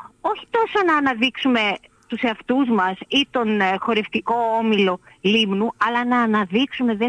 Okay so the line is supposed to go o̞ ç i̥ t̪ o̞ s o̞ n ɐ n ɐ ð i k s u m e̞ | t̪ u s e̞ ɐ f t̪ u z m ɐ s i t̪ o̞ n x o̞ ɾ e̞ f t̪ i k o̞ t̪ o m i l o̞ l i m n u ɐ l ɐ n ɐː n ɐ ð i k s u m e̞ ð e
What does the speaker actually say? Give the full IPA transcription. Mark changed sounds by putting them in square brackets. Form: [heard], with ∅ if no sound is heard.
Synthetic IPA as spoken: o̞ ç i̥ t̪ o̞ s o̞ n [ɐː] n ɐ ð i k s u m e̞ | t̪ u s e̞ ɐ f t̪ u z m ɐ s i t̪ o̞ n x o̞ ɾ e̞ f t̪ i k o̞ [∅] o m i l o̞ l i m n u ɐ l ɐ n ɐː n ɐ ð i k s u m e̞ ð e